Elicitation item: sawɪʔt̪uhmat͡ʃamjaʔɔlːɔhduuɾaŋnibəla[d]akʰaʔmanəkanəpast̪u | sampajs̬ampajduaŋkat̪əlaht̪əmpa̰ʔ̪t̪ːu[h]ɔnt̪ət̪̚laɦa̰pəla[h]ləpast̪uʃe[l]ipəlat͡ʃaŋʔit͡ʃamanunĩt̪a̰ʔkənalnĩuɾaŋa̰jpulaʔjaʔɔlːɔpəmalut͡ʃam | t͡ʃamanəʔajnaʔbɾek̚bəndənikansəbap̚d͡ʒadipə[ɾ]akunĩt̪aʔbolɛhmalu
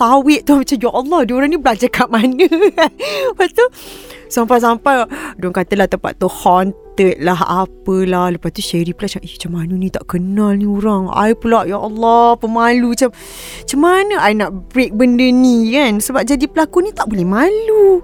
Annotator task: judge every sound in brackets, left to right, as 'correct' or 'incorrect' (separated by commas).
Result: incorrect, correct, correct, incorrect, incorrect